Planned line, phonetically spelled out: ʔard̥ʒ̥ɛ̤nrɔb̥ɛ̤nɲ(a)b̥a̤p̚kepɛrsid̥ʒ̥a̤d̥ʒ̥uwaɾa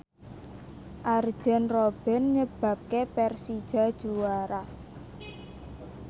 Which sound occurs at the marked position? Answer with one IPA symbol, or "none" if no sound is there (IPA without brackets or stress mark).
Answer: ə